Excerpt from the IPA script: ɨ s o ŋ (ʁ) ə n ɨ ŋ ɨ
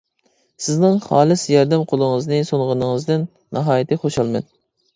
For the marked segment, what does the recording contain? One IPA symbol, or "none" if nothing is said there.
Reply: ʁ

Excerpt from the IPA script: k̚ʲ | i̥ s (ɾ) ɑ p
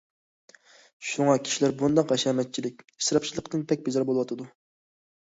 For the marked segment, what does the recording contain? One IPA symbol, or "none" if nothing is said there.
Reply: ɾ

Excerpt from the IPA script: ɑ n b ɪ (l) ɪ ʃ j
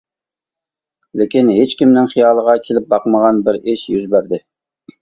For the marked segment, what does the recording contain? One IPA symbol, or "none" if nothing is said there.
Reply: ɾ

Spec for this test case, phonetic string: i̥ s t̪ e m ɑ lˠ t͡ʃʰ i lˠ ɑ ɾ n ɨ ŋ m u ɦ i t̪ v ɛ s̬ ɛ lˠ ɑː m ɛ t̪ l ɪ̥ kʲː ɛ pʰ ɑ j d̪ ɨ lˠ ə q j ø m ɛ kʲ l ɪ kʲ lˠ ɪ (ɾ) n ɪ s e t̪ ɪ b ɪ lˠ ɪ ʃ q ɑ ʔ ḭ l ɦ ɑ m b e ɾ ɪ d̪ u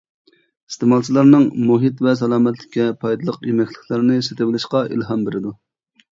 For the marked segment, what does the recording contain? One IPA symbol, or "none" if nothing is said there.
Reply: ɾ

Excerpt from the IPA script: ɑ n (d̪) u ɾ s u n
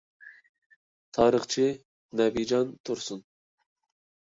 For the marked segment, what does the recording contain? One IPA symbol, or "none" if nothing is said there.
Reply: t̪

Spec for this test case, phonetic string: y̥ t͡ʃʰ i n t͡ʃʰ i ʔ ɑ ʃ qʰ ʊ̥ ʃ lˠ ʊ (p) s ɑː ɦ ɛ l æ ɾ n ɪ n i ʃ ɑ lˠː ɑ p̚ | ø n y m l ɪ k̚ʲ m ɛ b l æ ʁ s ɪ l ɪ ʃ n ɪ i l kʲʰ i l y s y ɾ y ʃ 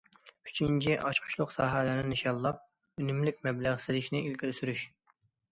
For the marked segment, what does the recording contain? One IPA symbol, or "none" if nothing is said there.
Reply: q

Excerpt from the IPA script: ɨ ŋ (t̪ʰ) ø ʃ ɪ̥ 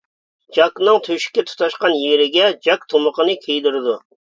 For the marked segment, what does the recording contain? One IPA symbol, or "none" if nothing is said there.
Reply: t̪ʰ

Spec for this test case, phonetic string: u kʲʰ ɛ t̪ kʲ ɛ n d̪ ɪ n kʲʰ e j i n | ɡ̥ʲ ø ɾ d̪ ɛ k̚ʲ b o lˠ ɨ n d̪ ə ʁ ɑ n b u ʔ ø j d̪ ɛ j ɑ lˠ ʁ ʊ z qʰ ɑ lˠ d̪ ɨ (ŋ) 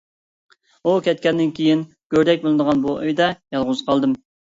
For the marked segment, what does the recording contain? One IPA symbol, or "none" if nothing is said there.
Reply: m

